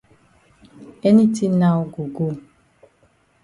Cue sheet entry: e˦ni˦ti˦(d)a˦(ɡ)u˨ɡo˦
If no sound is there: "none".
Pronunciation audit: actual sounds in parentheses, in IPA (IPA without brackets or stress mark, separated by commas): n, ɡ